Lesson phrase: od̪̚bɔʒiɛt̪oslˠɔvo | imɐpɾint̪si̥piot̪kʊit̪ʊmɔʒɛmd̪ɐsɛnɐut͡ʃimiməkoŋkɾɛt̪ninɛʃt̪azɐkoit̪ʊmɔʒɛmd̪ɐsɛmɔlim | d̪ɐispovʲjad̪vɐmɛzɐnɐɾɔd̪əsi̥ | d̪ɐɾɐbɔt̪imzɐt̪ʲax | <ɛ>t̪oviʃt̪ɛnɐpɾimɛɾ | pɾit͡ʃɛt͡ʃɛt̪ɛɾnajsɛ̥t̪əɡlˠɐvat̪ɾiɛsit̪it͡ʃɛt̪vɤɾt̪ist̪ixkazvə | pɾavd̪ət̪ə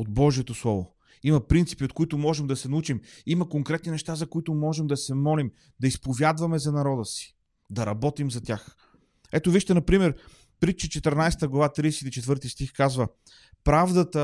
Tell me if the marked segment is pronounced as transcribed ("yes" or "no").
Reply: yes